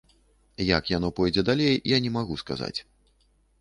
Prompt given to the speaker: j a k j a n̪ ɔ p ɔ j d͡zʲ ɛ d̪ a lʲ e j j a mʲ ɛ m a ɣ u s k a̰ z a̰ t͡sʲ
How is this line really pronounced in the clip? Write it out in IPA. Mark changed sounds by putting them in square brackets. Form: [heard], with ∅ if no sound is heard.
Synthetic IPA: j a k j a n̪ ɔ p ɔ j d͡zʲ ɛ d̪ a lʲ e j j a [nʲ] ɛ m a ɣ u s k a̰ z a̰ t͡sʲ